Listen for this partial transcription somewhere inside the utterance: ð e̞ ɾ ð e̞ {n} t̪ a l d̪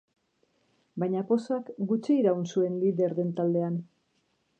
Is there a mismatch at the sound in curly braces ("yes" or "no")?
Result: no